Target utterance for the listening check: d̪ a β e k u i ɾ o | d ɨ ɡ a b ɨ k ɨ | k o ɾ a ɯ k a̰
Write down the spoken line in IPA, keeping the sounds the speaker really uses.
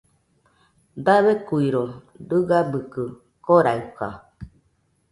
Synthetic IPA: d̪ a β e k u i ɾ o | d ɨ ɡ a b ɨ k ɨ | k o ɾ a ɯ k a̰